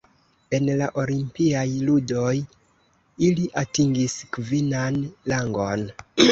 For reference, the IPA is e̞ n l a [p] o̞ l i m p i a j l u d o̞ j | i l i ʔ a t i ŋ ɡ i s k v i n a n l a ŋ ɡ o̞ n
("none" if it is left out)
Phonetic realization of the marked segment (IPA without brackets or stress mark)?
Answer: ʔ